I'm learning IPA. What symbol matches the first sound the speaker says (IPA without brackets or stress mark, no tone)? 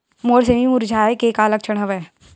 m